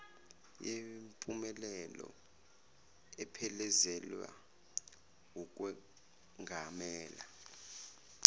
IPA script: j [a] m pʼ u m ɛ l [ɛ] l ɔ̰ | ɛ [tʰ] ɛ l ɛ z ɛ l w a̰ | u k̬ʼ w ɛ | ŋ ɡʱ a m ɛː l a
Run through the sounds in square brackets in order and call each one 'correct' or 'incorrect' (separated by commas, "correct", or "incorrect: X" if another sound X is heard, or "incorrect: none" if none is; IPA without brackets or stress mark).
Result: incorrect: e, correct, incorrect: pʰ